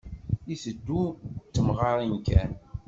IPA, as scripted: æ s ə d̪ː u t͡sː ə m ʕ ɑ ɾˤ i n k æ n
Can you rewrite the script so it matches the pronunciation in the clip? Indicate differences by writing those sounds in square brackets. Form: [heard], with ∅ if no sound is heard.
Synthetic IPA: [i] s ə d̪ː u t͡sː ə m [ʁ] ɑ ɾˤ i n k æ n